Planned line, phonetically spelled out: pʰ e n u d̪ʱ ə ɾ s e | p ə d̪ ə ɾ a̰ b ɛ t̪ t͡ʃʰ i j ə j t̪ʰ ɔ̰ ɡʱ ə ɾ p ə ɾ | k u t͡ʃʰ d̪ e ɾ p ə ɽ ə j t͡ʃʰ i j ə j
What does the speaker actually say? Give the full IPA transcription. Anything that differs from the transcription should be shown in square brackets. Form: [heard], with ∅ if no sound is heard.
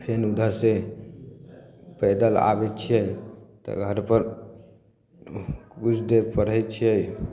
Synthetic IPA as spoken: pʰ e n u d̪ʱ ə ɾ s e | p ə d̪ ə [l] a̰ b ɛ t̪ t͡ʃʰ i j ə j [t̪] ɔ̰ ɡʱ ə ɾ p ə ɾ | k u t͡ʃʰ d̪ e ɾ p ə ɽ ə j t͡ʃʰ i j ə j